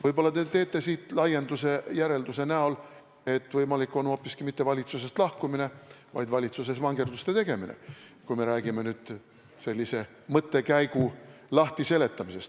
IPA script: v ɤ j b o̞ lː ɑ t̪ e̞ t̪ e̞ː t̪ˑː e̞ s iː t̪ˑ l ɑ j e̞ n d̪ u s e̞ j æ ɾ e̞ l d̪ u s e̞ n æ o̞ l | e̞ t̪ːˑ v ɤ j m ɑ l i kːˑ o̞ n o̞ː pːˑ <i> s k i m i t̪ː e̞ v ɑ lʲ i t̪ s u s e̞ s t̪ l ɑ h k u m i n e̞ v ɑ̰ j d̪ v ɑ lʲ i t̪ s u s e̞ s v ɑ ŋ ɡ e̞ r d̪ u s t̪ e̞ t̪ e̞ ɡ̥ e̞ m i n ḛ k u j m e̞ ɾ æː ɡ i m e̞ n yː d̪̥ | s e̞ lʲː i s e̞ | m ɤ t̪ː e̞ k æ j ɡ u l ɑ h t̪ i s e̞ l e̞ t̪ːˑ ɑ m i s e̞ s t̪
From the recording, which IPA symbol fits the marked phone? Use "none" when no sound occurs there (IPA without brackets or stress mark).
i